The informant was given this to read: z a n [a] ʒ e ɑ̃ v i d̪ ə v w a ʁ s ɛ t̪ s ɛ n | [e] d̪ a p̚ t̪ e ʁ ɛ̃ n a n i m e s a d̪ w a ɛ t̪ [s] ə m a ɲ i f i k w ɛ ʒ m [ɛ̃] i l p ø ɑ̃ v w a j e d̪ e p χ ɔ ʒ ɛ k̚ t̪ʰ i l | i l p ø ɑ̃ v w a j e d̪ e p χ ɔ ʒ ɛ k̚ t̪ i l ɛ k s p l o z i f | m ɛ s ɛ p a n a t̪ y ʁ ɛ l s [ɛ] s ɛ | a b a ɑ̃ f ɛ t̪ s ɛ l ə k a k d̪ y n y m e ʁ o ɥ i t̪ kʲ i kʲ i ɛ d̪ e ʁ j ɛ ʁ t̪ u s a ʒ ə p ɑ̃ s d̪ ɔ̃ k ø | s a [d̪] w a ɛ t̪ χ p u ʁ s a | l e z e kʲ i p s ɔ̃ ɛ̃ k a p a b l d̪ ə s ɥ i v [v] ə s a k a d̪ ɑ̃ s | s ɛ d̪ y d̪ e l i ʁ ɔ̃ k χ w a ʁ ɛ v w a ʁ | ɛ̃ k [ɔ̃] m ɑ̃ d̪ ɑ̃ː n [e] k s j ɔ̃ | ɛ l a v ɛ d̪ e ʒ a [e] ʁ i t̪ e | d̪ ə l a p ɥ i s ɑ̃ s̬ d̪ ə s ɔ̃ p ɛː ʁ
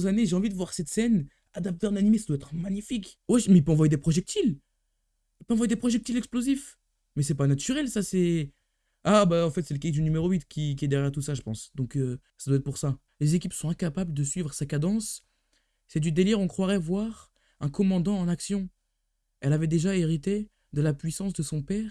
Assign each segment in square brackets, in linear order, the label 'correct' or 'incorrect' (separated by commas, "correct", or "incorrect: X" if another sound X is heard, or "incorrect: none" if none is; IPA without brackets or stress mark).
incorrect: e, incorrect: a, incorrect: χ, incorrect: ɛ, incorrect: a, correct, incorrect: ʁ, incorrect: ɔ, incorrect: a, correct